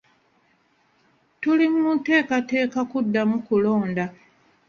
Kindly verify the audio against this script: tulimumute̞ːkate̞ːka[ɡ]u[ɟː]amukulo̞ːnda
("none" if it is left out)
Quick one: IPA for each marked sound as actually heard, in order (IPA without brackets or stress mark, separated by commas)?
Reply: k, dː